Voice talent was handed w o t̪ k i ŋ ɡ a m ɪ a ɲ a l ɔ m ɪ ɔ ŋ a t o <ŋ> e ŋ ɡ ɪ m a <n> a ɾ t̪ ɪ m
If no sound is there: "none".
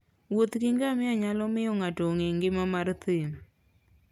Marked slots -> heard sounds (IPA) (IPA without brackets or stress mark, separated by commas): ŋ, m